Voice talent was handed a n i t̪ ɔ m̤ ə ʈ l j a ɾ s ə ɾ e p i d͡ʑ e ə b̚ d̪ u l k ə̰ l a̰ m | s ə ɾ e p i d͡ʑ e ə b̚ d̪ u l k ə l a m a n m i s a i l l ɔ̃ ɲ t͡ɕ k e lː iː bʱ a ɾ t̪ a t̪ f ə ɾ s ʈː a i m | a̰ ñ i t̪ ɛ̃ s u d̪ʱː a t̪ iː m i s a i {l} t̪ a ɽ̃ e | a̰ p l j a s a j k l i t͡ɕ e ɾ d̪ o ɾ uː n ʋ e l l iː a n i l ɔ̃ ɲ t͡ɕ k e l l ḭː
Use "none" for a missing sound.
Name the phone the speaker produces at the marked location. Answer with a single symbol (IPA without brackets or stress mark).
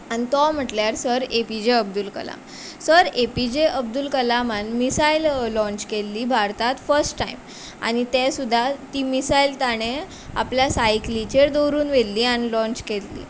l